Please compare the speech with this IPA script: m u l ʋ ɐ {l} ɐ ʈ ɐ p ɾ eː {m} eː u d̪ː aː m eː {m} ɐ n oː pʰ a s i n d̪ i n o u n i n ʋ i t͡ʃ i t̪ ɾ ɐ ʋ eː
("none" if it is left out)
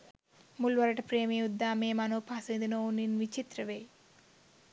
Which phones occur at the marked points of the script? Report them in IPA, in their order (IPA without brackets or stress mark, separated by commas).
ɾ, m, m